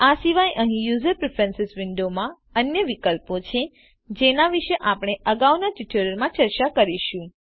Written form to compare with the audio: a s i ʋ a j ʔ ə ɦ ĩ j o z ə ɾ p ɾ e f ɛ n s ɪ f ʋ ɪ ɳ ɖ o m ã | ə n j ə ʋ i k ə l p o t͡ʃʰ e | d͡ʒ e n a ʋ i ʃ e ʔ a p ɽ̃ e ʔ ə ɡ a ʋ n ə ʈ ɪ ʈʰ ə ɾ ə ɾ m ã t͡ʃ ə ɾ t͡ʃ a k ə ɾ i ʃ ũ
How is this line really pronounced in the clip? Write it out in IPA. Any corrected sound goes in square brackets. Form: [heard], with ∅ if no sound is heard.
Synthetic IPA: a s i ʋ a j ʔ ə ɦ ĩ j [u] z ə ɾ p ɾ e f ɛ n s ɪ [s] ʋ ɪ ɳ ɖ o m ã | ə n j ə ʋ i k ə l p o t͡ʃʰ e | d͡ʒ e n a ʋ i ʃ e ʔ a p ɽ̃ e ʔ ə ɡ a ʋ n [a] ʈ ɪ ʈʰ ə ɾ ə ɾ m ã t͡ʃ ə ɾ t͡ʃ a k ə ɾ i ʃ ũ